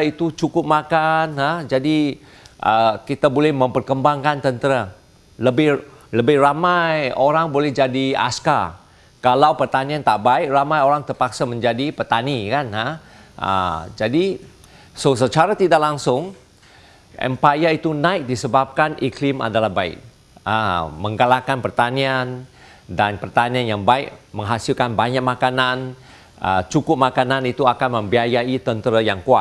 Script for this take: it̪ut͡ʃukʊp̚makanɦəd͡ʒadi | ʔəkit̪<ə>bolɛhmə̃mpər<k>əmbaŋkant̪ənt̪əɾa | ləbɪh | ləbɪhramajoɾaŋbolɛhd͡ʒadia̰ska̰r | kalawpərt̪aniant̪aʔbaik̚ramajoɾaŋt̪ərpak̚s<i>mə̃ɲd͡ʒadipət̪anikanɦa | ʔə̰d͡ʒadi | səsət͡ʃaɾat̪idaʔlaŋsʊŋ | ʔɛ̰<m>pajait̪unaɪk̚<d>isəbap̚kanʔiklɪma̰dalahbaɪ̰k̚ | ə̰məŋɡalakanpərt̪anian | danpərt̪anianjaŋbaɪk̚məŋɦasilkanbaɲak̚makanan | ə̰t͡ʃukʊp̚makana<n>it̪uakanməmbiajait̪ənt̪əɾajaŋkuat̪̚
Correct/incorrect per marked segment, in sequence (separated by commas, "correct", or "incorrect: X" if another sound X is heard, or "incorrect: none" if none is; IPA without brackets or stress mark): incorrect: a, correct, incorrect: a, correct, correct, correct